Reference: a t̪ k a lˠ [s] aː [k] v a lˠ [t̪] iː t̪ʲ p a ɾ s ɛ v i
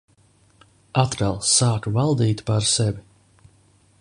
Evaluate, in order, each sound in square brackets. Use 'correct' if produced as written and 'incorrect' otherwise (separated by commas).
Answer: correct, correct, incorrect